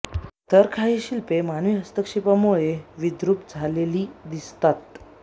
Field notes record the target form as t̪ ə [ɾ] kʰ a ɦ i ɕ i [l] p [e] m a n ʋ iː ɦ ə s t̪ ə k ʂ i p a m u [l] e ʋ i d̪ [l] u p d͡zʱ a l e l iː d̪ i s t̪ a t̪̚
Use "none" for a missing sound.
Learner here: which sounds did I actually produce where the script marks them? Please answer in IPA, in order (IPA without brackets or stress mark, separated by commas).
ɾ, l, e, ɭ, ɾ